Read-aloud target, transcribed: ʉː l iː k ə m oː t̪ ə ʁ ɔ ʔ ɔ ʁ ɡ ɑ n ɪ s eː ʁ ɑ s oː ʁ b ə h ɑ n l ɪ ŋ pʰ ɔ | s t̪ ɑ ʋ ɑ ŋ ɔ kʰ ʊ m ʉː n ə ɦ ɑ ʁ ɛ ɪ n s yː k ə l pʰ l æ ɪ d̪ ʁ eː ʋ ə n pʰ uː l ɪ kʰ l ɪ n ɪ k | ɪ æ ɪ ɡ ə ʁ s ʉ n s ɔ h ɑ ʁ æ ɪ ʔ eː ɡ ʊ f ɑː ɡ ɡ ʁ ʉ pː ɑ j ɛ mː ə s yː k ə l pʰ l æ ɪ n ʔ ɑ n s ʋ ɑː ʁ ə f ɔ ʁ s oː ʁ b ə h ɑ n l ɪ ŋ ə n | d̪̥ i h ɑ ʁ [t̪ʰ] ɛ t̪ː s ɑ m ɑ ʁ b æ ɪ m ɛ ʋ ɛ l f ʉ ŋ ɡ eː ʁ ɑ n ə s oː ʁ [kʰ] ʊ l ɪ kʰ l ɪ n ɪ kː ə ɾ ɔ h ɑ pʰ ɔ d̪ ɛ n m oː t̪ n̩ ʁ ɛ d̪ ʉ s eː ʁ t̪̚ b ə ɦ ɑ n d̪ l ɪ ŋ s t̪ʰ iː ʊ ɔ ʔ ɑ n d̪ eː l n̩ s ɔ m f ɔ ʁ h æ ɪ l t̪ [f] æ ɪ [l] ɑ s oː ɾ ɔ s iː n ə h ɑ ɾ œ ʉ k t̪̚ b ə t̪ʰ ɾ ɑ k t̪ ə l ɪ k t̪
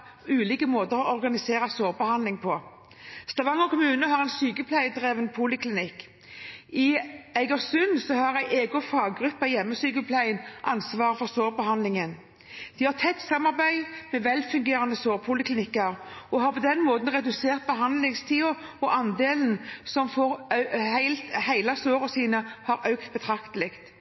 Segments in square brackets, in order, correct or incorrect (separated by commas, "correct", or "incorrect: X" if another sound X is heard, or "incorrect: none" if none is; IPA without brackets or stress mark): correct, incorrect: pʰ, incorrect: h, correct